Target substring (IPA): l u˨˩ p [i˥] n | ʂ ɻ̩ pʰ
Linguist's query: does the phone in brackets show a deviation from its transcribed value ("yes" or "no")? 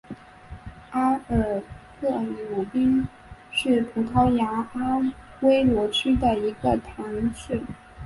no